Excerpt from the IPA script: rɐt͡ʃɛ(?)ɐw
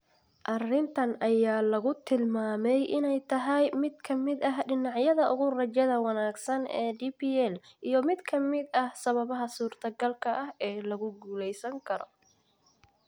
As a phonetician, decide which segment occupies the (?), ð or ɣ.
ð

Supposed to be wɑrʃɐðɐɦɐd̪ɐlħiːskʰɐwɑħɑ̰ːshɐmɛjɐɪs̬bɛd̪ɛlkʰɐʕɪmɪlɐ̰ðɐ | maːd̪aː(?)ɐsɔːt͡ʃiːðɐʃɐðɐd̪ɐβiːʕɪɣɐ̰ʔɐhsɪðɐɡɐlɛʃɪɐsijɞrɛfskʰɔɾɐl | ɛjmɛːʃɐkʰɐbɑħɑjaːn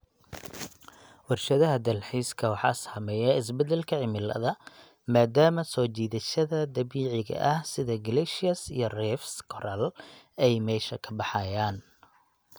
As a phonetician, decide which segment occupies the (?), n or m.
m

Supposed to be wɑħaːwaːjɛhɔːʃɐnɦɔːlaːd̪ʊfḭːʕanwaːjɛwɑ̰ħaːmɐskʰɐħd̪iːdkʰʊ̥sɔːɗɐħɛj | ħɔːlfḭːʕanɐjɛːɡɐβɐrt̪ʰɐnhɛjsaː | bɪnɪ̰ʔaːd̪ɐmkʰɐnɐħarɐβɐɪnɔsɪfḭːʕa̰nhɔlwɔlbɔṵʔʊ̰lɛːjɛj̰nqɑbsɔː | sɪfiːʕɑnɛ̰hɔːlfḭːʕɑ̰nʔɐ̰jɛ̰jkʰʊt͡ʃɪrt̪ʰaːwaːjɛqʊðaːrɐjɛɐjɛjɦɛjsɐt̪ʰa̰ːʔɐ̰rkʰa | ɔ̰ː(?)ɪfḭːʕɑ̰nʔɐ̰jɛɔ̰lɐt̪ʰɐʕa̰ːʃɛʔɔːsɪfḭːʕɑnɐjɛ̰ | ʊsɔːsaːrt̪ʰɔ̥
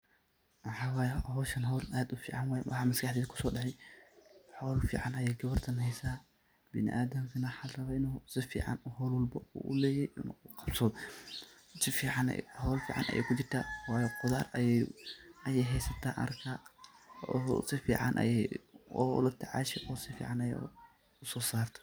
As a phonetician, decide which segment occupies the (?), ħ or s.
s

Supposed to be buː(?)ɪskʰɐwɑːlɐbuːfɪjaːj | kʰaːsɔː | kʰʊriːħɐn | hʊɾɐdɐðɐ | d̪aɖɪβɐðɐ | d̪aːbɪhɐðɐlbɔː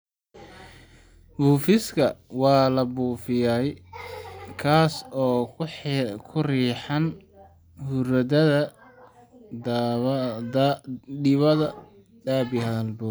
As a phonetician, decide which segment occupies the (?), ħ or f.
f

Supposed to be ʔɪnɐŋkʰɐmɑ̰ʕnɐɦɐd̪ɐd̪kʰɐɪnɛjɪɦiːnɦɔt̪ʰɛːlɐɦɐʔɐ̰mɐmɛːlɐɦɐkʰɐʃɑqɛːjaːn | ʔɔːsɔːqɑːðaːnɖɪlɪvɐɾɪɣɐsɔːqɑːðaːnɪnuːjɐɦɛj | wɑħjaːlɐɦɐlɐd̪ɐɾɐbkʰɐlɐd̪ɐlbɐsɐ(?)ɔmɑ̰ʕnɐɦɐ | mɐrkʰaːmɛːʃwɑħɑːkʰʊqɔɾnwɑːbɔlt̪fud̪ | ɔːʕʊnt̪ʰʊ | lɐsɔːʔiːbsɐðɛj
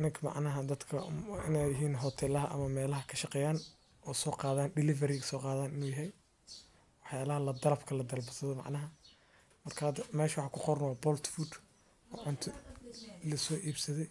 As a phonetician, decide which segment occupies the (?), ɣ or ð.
ð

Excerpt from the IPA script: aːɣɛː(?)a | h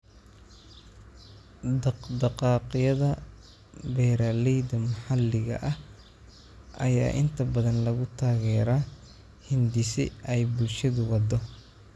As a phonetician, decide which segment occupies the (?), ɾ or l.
ɾ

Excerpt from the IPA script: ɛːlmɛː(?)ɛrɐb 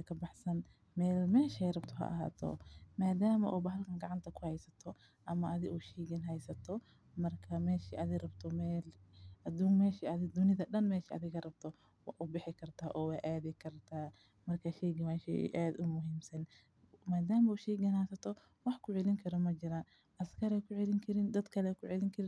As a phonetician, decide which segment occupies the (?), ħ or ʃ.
ʃ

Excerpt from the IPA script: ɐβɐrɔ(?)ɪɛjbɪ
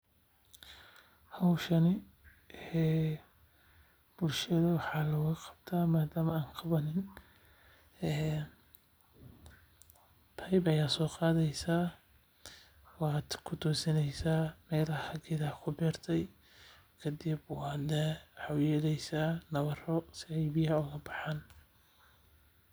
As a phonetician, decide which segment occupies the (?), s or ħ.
s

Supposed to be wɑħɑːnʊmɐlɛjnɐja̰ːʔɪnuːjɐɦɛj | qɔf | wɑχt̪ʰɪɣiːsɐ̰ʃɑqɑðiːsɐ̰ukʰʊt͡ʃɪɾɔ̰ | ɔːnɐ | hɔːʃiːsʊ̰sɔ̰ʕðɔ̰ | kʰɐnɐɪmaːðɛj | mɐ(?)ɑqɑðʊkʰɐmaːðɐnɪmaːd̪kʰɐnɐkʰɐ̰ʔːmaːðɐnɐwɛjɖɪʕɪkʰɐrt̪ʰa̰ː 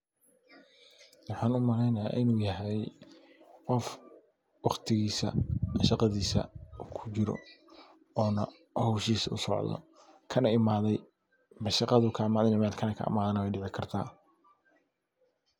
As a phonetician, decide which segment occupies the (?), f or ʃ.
ʃ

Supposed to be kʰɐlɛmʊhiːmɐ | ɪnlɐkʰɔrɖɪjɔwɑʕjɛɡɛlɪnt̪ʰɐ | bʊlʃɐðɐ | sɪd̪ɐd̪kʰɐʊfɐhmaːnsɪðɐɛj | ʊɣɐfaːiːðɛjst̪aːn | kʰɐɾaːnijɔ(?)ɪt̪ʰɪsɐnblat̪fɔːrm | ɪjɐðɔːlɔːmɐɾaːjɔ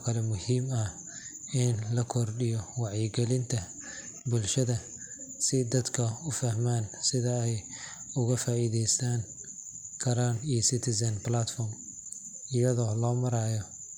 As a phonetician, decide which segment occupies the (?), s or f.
s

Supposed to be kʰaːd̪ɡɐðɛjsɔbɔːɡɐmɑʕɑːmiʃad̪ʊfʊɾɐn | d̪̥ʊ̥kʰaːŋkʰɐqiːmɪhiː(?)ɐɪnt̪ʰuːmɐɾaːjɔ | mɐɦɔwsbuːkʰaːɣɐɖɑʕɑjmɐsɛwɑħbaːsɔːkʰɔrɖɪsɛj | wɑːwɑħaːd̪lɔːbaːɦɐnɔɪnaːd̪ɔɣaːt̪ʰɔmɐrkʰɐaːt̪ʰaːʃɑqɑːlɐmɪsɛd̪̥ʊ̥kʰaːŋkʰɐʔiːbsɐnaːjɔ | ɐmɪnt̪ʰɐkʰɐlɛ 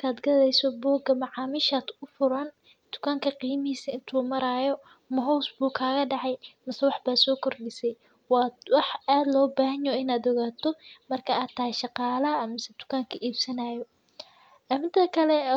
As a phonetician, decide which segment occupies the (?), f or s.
s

